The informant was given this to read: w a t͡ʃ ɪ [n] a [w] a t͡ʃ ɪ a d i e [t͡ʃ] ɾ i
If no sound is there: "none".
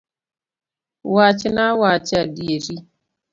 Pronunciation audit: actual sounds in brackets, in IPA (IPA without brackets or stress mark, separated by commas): n, w, none